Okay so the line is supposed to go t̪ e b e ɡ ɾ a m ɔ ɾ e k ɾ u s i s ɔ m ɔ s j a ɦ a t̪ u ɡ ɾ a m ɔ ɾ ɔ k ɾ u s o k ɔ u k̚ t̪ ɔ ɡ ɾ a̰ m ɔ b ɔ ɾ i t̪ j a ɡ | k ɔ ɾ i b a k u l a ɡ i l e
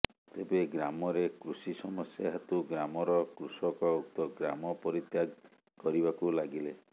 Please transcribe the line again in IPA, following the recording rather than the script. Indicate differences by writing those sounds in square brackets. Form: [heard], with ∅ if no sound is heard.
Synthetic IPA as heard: t̪ e b e ɡ ɾ a m ɔ ɾ e k ɾ u s i s ɔ m ɔ s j a ɦ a t̪ u ɡ ɾ a m ɔ ɾ ɔ k ɾ u s [ɔ] k ɔ u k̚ t̪ ɔ ɡ ɾ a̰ m ɔ [p] ɔ ɾ i t̪ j a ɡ | k ɔ ɾ i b a k u l a ɡ i l e